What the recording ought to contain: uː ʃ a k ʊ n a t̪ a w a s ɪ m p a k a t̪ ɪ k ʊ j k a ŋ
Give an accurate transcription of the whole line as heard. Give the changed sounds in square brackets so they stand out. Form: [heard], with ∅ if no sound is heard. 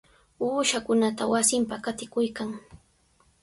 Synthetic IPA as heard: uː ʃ a k ʊ n a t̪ a w a s ɪ m p a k a t̪ ɪ k ʊ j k a ŋ